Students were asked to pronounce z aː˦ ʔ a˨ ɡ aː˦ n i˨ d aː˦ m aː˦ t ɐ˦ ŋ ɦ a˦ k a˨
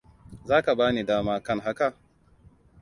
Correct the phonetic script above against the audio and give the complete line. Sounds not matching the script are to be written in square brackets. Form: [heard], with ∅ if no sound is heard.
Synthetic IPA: z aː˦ [k] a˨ [b] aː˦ n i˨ d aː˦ m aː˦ [k] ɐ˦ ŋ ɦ a˦ k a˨